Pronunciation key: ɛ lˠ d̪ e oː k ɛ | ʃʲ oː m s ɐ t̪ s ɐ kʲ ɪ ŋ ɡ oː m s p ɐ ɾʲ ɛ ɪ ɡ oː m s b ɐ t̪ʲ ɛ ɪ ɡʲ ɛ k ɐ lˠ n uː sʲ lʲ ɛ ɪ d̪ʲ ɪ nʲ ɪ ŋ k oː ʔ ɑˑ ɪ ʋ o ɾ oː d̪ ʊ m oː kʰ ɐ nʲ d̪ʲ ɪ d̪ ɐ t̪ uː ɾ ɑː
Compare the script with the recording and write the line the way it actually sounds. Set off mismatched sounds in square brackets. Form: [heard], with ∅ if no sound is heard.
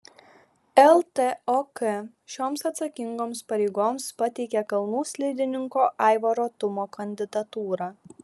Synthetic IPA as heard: ɛ lˠ [t̪] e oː k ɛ | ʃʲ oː m s ɐ t̪ s ɐ kʲ ɪ ŋ ɡ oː m s p ɐ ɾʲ ɛ ɪ ɡ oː m s [p] ɐ t̪ʲ ɛ ɪ [kʲ] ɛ k ɐ lˠ n uː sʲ lʲ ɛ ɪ d̪ʲ ɪ nʲ ɪ ŋ k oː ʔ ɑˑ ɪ ʋ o ɾ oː [t̪] ʊ m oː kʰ ɐ nʲ d̪ʲ ɪ d̪ ɐ t̪ uː ɾ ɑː